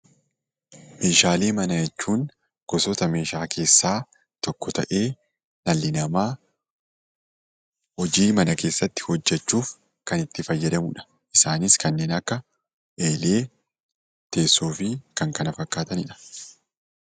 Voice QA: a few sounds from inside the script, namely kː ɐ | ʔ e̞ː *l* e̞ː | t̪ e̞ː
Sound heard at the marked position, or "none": l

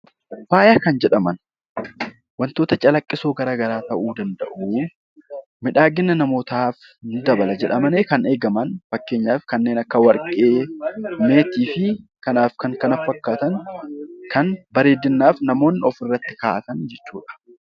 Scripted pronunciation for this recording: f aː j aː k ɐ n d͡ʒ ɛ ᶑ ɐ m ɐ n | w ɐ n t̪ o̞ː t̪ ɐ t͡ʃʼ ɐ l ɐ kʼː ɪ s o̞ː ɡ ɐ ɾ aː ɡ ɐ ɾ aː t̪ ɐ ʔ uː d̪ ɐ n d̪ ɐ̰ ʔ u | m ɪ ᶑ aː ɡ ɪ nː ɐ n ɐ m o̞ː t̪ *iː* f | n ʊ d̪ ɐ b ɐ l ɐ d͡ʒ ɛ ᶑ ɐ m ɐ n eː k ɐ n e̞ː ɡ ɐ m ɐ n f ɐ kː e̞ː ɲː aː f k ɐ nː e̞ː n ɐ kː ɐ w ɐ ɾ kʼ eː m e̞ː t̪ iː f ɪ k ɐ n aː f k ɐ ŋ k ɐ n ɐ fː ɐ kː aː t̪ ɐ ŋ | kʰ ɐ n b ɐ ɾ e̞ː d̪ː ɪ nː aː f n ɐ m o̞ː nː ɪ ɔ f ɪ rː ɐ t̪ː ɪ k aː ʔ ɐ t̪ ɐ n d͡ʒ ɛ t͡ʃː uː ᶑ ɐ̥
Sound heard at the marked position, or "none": aː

